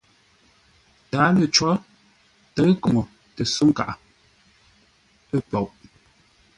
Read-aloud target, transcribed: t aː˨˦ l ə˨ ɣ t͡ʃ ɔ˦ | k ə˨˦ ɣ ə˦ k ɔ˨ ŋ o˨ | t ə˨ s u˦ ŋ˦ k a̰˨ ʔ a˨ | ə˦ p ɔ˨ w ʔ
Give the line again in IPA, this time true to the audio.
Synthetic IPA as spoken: t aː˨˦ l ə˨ t͡ʃ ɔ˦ | t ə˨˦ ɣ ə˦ k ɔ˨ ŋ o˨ | t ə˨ s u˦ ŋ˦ k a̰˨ ʔ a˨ | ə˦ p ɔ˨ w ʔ